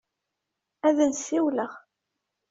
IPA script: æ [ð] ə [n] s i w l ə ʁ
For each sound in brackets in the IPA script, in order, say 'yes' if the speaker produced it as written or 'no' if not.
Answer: yes, yes

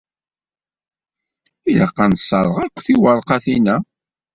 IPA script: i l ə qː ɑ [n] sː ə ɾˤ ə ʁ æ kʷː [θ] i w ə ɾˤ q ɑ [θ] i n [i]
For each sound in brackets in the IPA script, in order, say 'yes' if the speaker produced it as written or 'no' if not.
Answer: yes, yes, yes, no

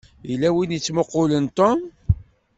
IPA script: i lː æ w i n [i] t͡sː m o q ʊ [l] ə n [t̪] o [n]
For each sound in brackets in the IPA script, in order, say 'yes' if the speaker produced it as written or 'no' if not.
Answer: yes, yes, yes, no

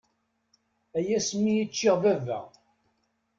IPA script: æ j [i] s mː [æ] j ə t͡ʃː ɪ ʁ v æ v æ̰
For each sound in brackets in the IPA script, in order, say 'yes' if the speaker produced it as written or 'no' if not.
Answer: no, no

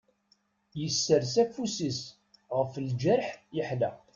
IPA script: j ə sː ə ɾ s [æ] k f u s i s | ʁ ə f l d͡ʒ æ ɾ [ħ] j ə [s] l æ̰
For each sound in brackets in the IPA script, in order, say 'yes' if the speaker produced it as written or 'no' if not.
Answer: yes, yes, no

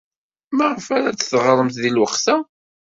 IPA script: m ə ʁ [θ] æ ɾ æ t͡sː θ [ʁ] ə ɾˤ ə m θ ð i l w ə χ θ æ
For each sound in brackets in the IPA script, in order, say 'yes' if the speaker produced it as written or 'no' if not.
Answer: no, yes

